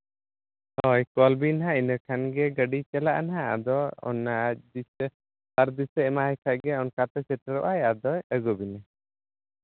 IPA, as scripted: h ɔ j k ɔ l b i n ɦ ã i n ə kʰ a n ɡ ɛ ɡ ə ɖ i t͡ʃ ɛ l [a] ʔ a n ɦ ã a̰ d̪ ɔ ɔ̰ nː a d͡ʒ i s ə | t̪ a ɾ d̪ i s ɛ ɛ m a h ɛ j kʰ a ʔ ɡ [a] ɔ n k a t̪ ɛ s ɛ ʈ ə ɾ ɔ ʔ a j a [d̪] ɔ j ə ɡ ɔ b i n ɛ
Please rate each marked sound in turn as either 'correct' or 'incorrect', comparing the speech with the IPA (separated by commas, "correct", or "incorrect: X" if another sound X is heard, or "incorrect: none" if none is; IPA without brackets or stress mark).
correct, incorrect: ɛ, correct